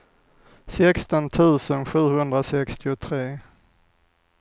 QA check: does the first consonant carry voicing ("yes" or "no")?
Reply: no